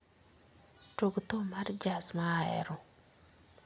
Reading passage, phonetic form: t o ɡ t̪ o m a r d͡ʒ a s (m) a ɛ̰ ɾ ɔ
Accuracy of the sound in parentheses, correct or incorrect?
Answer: correct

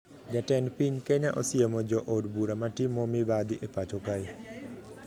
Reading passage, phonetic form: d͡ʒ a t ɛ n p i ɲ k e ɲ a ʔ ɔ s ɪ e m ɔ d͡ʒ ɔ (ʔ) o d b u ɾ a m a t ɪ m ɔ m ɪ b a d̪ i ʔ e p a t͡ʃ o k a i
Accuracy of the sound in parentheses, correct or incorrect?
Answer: correct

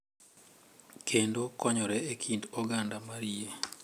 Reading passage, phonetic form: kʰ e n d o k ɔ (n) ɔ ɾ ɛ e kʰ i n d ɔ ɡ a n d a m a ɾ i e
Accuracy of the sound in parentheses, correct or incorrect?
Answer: incorrect: ɲ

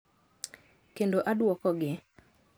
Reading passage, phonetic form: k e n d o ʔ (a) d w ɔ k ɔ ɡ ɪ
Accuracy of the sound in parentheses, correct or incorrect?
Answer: correct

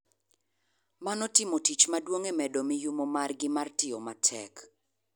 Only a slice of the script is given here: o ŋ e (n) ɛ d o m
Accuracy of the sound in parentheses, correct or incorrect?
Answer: incorrect: m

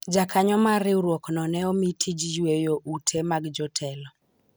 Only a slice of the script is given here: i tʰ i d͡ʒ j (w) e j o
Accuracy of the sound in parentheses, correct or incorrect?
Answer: correct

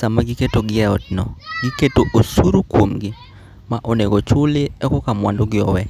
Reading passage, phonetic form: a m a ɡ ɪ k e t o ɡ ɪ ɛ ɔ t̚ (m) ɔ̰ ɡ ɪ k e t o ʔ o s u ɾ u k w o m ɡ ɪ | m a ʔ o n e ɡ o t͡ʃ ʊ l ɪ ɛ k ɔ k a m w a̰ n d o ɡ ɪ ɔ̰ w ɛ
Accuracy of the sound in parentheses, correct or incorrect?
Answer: incorrect: n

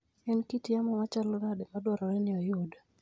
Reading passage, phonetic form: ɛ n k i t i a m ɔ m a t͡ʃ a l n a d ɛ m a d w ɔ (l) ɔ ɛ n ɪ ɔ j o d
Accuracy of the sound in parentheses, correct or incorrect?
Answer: incorrect: ɾ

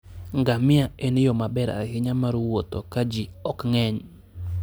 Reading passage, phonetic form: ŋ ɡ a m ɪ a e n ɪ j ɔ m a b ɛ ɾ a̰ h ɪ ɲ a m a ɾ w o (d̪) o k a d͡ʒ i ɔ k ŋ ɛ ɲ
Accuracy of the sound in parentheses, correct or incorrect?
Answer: incorrect: t̪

